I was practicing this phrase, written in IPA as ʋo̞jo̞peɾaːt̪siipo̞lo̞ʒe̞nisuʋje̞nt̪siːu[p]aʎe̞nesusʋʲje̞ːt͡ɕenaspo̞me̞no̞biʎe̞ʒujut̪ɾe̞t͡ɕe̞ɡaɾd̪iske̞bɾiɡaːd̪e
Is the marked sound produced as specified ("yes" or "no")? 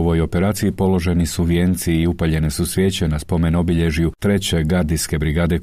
yes